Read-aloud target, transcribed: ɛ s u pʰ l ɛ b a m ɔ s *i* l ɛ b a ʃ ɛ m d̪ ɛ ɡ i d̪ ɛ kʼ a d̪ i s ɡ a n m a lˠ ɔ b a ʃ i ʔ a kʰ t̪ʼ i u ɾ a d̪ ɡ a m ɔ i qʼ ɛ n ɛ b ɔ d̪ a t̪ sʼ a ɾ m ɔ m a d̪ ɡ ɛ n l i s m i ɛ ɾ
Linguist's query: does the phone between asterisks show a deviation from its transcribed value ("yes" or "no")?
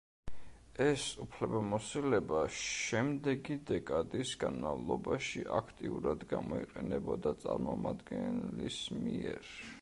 no